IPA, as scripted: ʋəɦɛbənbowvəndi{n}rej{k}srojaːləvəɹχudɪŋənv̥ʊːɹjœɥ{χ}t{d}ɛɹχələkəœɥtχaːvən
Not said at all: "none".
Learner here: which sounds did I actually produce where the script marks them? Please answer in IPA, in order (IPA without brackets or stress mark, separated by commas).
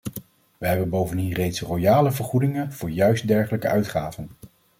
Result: n, t, s, d